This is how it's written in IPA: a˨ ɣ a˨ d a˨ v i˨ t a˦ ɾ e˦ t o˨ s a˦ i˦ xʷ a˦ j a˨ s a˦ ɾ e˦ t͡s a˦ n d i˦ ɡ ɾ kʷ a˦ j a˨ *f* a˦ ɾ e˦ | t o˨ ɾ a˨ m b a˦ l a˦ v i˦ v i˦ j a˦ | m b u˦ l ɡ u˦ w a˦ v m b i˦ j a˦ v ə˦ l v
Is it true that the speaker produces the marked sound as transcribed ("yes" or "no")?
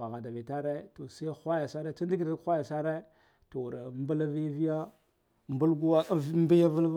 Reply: no